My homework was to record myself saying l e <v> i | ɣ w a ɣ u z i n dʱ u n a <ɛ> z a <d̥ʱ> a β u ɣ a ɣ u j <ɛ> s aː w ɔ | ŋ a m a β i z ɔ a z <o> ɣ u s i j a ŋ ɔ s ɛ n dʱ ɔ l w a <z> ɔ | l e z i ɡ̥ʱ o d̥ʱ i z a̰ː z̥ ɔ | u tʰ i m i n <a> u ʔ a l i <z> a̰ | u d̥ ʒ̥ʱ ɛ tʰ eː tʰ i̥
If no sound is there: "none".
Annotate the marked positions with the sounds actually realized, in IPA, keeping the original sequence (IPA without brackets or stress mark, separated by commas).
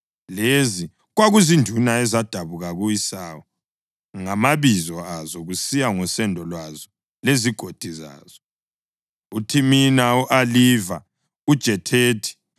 z, ɛ, d̥ʱ, i, ɔ, z, a, v